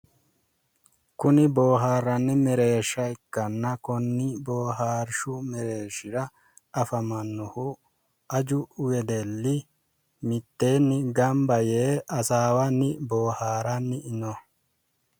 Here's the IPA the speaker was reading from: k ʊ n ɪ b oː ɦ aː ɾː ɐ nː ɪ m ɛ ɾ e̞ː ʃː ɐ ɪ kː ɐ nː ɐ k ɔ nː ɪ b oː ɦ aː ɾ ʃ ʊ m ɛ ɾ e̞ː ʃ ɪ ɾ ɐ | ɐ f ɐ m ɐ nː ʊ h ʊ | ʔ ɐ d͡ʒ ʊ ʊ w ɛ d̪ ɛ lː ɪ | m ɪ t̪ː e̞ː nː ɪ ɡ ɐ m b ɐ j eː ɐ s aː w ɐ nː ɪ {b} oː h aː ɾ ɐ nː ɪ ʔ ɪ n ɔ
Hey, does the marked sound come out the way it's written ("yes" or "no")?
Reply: yes